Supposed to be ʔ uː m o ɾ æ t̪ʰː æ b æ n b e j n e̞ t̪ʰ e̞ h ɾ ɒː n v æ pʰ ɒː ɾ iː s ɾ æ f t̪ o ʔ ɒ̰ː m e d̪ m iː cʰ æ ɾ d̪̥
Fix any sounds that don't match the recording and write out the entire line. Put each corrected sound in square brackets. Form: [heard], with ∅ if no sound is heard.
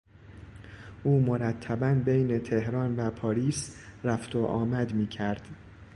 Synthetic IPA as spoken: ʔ uː m o ɾ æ t̪ʰː æ b æ n b e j n e̞ t̪ʰ e̞ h ɾ ɒː n v æ pʰ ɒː ɾ iː s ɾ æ f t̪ o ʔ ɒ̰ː m [æ] d̪ m iː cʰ æ ɾ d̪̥